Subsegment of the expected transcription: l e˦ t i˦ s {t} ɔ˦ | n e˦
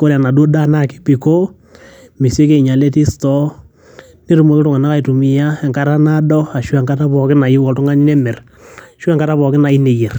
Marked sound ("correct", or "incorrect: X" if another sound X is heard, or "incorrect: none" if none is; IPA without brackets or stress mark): correct